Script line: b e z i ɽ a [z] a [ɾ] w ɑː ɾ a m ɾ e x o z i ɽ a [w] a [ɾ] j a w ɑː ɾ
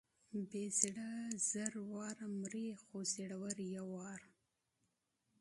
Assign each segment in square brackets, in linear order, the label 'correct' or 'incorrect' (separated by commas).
correct, correct, correct, correct